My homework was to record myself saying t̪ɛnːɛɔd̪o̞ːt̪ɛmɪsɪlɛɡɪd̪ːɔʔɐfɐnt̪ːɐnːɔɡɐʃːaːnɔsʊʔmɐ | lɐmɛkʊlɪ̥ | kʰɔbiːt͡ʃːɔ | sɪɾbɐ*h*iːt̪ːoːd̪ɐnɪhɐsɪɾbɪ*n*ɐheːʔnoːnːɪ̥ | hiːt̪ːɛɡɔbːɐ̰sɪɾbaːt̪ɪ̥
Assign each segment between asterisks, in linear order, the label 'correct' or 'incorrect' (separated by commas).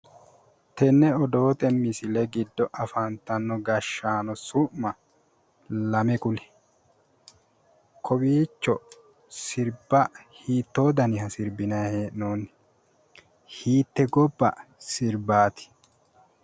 correct, correct